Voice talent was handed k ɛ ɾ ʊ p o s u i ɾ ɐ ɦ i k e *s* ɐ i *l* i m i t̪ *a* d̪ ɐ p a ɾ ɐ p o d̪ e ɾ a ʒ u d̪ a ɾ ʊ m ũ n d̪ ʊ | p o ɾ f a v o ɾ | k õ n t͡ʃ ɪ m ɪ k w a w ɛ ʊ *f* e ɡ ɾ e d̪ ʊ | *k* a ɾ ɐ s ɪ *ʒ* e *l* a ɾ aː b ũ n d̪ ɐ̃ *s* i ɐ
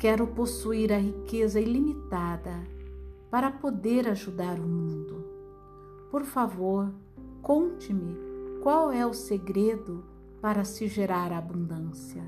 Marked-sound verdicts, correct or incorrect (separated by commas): incorrect, correct, correct, incorrect, incorrect, correct, incorrect, correct